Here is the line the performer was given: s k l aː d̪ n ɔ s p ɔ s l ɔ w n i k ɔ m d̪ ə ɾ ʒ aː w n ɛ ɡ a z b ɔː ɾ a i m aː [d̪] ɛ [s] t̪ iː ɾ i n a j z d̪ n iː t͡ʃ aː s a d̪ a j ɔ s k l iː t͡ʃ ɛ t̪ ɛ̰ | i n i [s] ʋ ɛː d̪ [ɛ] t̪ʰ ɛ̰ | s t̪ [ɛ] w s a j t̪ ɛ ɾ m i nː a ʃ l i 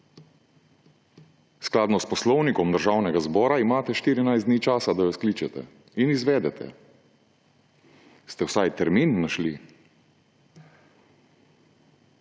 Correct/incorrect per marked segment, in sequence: incorrect: t̪, incorrect: ʃ, incorrect: z, correct, correct

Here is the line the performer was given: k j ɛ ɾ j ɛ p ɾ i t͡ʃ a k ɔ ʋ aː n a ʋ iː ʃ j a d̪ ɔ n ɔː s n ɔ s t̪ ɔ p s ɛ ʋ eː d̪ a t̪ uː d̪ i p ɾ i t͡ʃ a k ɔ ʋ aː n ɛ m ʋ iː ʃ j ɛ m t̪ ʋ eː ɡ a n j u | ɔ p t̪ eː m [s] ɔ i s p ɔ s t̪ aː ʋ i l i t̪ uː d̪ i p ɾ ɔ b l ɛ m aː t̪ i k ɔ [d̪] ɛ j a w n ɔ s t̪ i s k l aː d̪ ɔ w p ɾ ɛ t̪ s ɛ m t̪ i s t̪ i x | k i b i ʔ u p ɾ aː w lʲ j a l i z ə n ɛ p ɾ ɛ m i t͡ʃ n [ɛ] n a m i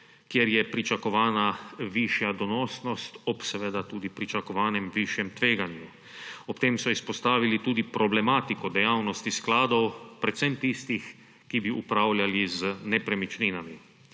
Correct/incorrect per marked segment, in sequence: correct, correct, incorrect: i

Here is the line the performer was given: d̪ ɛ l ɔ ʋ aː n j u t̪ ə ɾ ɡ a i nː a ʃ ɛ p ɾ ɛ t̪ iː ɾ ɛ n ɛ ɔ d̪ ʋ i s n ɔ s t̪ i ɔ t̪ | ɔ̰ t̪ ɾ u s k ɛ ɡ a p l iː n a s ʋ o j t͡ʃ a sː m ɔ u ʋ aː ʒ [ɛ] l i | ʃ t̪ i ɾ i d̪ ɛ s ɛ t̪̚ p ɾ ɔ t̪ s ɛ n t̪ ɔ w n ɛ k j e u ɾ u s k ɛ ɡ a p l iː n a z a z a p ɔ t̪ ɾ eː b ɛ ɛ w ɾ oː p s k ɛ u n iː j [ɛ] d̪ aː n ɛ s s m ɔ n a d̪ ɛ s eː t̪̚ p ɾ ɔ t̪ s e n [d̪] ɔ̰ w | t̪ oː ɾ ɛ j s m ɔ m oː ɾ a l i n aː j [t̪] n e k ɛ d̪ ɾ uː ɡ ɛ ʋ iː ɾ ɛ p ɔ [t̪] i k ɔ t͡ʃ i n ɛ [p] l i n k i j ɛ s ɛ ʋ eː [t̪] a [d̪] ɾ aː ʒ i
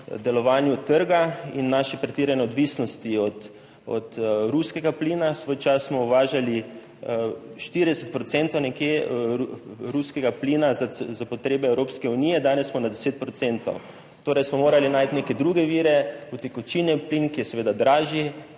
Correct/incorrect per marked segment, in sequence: incorrect: a, correct, incorrect: t̪, correct, correct, correct, incorrect: d̪, correct

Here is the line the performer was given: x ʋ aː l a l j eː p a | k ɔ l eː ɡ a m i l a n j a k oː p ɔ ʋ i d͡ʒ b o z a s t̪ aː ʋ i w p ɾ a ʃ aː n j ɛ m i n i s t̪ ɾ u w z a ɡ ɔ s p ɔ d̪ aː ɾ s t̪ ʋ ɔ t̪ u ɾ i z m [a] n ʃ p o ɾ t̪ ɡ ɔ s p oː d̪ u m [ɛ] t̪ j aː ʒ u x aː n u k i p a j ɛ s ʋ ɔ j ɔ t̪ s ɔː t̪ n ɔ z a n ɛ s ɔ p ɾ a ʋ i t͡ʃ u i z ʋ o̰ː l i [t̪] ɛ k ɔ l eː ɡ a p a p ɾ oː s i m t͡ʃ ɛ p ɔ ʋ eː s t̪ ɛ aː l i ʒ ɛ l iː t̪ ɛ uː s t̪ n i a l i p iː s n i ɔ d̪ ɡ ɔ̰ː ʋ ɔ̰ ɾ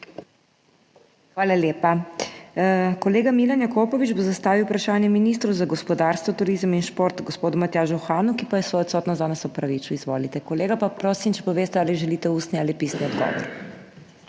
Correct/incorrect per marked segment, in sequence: incorrect: i, incorrect: a, correct

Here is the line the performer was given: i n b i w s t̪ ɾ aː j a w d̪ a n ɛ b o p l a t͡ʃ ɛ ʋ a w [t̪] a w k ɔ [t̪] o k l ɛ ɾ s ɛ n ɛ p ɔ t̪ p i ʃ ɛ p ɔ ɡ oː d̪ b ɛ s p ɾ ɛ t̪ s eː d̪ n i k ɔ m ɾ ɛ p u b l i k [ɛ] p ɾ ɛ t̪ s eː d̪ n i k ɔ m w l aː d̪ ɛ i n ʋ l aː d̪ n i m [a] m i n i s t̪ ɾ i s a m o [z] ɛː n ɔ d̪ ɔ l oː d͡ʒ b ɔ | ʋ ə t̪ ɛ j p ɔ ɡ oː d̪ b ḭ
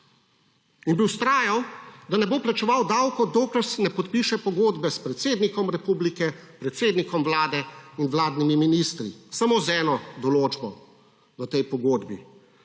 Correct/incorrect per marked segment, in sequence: incorrect: d̪, incorrect: d̪, correct, incorrect: i, correct

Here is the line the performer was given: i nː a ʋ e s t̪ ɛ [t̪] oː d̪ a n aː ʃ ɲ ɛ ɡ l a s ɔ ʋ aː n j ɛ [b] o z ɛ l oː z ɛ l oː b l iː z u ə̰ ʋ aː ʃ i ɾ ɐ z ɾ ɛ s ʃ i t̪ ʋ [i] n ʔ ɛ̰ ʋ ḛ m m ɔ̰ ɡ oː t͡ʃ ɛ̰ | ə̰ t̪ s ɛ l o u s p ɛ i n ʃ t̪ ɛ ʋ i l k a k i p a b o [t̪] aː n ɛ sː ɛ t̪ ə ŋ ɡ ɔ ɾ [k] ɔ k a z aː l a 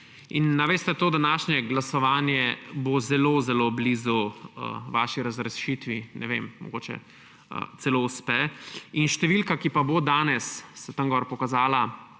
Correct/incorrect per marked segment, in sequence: correct, correct, correct, incorrect: d̪, incorrect: p

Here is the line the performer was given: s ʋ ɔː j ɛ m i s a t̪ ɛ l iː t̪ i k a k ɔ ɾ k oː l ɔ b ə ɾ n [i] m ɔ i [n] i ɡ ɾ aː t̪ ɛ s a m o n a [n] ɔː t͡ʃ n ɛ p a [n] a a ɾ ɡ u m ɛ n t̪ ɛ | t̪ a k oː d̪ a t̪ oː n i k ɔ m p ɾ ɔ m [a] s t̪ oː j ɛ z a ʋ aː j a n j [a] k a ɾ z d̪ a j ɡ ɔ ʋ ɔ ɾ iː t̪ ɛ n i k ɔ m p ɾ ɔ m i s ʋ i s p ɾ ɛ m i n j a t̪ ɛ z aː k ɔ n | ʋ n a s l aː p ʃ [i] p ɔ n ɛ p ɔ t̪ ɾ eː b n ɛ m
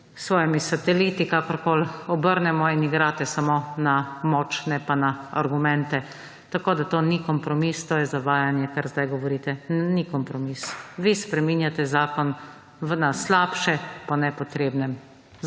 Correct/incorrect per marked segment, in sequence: incorrect: ɛ, correct, incorrect: m, correct, incorrect: i, incorrect: ɛ, incorrect: ɛ

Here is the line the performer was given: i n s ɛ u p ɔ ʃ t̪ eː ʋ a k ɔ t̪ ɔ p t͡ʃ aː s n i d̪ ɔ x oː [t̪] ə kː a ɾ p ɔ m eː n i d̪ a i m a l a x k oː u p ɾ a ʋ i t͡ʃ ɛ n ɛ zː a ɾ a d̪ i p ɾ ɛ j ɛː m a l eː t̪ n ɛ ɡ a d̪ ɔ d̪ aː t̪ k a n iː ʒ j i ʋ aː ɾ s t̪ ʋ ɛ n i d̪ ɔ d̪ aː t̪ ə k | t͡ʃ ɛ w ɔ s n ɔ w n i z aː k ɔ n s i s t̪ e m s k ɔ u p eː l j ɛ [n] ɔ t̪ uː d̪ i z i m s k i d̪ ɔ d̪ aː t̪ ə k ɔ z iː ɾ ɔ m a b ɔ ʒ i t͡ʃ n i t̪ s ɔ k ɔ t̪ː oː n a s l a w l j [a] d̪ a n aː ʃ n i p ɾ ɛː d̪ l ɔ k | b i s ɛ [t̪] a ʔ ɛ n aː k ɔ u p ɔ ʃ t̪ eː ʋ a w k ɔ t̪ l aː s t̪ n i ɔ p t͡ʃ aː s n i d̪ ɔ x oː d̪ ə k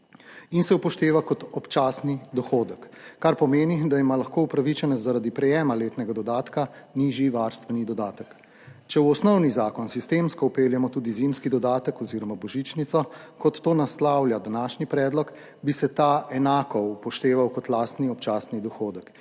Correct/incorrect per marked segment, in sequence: incorrect: d̪, incorrect: m, correct, correct

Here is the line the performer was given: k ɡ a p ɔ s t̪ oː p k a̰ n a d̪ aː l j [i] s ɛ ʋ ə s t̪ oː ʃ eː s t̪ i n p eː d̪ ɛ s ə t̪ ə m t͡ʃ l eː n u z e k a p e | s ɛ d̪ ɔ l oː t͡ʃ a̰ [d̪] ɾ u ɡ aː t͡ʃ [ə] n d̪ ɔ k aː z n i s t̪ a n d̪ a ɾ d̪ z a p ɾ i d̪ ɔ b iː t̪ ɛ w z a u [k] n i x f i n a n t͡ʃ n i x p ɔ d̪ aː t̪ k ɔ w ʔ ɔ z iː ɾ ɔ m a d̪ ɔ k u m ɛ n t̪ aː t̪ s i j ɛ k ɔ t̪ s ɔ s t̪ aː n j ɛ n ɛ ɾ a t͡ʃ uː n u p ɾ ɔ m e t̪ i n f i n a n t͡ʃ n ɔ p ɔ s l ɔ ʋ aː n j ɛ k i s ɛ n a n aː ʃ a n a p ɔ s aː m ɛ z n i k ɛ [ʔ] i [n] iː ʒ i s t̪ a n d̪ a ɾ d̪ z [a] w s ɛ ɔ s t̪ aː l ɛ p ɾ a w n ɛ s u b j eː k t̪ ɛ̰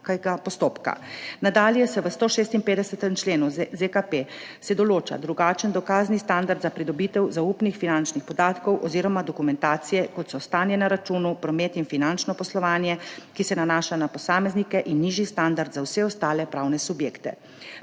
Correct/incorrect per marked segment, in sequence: incorrect: ɛ, correct, correct, incorrect: p, correct, incorrect: nː, correct

